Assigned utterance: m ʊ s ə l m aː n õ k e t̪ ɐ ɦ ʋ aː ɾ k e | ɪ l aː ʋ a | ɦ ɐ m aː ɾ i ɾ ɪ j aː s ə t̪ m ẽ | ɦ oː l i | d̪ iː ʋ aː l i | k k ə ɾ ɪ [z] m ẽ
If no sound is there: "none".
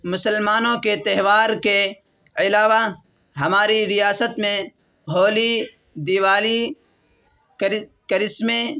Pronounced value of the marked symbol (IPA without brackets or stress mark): s